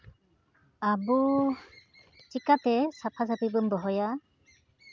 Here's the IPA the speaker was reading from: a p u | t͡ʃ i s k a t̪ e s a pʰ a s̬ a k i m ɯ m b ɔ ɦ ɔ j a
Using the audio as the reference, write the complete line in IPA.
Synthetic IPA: a b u | t͡ʃ i k a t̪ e s a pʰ a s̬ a p i b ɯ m b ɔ ɦ ɔ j a